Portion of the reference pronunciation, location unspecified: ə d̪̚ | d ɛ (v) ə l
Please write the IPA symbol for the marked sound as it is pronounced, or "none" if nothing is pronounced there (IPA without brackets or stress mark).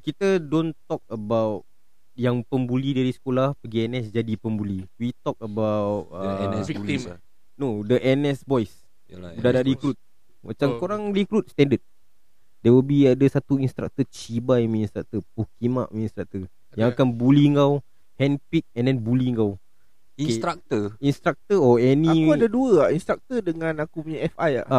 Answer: w